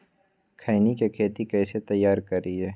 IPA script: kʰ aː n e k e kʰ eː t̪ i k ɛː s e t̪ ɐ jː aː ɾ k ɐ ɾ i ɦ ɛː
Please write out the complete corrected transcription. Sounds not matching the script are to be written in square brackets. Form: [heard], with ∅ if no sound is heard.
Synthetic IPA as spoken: kʰ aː n [i] k e kʰ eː t̪ i k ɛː s e t̪ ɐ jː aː ɾ k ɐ ɾ i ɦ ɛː